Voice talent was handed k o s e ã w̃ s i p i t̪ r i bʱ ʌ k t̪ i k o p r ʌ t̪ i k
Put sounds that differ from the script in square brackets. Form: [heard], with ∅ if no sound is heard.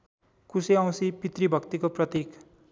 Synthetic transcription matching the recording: k [u] s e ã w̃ s i p i t̪ r i bʱ ʌ k t̪ i k o p r ʌ t̪ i k